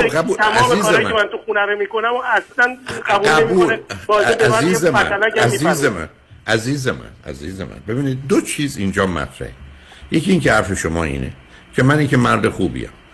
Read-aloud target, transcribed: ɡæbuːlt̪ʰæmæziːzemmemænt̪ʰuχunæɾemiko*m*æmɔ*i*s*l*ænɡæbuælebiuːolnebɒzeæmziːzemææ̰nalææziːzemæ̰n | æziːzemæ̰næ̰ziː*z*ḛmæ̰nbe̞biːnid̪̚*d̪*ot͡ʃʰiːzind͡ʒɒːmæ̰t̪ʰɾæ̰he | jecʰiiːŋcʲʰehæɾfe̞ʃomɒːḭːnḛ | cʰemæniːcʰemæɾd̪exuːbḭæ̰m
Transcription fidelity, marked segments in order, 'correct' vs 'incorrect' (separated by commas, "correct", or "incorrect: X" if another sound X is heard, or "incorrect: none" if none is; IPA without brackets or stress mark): incorrect: n, incorrect: æ, correct, correct, correct